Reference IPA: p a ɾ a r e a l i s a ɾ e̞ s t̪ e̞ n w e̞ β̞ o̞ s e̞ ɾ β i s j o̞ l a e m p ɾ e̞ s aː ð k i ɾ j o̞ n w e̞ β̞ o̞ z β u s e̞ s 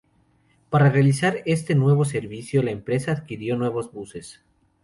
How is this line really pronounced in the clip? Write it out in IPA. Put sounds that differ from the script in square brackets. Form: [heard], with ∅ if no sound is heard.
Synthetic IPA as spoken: p a ɾ a r e a l i s a ɾ e̞ s t̪ e̞ n w e̞ β̞ o̞ s e̞ ɾ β i s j o̞ l a e m p ɾ e̞ s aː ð k i ɾ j o̞ n w e̞ β̞ o̞ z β u s e̞ s